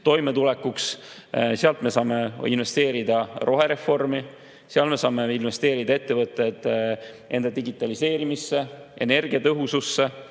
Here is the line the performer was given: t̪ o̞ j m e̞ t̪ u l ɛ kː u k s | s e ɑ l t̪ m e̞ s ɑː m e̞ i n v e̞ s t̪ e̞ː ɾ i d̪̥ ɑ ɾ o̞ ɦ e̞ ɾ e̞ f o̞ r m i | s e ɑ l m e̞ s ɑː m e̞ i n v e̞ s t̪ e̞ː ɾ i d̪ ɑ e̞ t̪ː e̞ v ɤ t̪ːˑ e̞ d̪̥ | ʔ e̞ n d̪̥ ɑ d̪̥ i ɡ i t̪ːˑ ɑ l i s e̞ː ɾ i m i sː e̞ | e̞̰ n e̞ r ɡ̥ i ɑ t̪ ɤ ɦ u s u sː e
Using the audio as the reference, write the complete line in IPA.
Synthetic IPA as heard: t̪ o̞ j m e̞ t̪ u l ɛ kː u k s | s e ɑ l t̪ m e̞ s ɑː m e̞ i n v e̞ s t̪ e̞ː ɾ i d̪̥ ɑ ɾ o̞ ɦ e̞ ɾ e̞ f o̞ r m i | s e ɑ l m e̞ s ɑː m e̞ i n v e̞ s t̪ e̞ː ɾ i d̪ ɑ e̞ t̪ː e̞ v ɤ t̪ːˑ e̞ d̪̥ | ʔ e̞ n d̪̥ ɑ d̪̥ i ɡ i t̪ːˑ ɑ l i s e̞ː ɾ i m i sː e̞ | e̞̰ n e̞ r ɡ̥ i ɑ t̪ ɤ ɦ u s u sː e

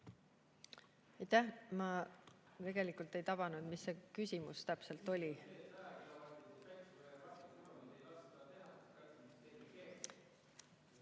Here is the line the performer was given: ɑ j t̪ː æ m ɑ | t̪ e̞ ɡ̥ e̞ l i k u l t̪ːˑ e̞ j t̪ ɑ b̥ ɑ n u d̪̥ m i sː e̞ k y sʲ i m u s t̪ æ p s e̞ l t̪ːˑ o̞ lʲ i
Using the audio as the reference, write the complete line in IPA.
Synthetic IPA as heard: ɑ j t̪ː æ m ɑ | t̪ e̞ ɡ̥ e̞ l i k u l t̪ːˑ e̞ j t̪ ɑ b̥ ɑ n u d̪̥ m i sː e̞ k y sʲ i m u s t̪ æ p s e̞ l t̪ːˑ o̞ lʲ i

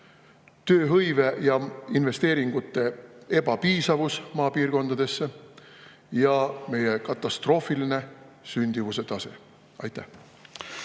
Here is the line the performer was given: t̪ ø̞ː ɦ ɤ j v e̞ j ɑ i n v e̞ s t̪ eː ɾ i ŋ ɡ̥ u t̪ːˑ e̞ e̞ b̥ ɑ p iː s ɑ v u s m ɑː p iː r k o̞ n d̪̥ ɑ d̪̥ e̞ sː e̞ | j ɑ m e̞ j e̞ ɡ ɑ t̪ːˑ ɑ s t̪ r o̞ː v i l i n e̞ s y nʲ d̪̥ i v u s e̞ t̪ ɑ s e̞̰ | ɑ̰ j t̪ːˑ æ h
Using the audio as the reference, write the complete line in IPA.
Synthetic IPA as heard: t̪ ø̞ː ɦ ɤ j v e̞ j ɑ i n v e̞ s t̪ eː ɾ i ŋ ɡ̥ u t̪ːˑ e̞ e̞ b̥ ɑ p iː s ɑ v u s m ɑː p iː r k o̞ n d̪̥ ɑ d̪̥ e̞ sː e̞ | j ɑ m e̞ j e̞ k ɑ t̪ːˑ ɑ s t̪ r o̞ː f i l i n e̞ s y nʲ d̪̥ i v u s e̞ t̪ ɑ s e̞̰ | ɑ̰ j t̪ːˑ æ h

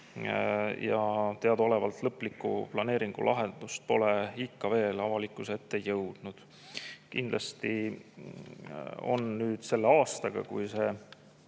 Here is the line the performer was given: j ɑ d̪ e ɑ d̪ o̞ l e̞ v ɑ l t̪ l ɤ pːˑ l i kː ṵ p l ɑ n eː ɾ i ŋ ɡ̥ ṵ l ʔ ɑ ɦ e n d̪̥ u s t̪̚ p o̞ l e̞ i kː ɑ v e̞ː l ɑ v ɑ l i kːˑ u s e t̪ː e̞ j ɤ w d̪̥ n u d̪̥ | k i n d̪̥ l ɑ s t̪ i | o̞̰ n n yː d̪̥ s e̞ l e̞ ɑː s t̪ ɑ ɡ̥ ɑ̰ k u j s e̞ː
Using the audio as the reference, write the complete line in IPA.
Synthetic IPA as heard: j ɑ t̪ e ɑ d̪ o̞ l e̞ v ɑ l t̪ l ɤ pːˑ l i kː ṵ p l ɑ n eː ɾ i ŋ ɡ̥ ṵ l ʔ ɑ ɦ e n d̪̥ u s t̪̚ p o̞ l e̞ i kː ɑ v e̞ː l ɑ v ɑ l i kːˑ u s e t̪ː e̞ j ɤ w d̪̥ n u d̪̥ | k i n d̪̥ l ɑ s t̪ i | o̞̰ n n yː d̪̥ s e̞ lː e̞ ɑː s t̪ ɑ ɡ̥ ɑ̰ k u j s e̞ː

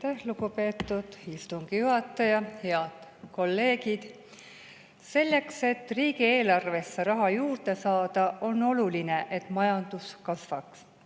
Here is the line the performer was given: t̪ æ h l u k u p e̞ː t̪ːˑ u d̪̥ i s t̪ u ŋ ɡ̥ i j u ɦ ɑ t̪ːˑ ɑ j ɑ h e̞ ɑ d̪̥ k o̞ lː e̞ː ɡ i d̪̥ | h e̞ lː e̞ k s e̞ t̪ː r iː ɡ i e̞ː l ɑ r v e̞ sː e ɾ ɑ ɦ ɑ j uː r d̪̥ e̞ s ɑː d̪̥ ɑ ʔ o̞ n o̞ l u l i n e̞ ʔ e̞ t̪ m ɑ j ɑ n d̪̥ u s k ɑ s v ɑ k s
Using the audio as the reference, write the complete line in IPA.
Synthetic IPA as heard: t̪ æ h l u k u p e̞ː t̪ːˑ u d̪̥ i s t̪ u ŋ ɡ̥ i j u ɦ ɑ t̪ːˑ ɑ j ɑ h e̞ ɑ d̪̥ k o̞ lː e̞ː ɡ i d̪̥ | s e̞ lː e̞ k s e̞ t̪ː r iː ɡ i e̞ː l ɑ r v e̞ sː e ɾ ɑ ɦ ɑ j uː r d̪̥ e̞ s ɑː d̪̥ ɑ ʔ o̞ n o̞ l u l i n e̞ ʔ e̞ t̪ m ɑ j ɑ n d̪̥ u s k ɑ s v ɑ k s

